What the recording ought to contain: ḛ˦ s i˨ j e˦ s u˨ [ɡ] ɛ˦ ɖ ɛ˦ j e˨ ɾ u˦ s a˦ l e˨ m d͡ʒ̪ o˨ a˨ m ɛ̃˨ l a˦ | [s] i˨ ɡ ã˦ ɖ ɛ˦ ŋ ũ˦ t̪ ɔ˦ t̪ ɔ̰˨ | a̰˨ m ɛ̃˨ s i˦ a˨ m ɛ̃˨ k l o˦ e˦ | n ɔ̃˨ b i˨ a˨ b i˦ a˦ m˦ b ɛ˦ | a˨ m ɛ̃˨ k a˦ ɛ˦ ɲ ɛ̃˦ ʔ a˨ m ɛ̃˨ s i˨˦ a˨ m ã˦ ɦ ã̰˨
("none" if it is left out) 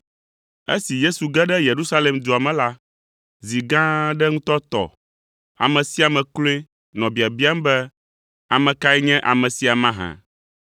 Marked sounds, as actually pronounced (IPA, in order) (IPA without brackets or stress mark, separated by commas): ɡ, z